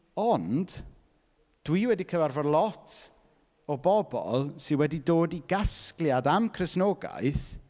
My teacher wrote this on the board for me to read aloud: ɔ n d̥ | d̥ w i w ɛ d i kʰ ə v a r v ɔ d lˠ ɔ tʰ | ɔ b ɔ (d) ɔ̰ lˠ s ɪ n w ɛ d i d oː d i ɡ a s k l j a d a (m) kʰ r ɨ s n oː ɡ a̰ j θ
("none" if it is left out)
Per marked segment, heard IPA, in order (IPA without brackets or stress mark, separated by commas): b, m